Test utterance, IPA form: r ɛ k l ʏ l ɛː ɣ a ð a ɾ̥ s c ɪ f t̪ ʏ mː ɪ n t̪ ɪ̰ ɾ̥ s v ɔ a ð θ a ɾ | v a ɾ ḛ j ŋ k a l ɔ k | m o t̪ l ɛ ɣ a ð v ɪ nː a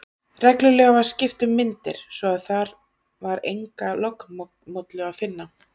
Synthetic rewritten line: r ɛ k l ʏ l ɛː ɣ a v a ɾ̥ s c ɪ f t̪ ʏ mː ɪ n t̪ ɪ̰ ɾ̥ s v ɔ a ð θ a ɾ | v a ɾ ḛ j ŋ k a l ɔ k | m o t̪ l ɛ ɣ a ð f ɪ nː a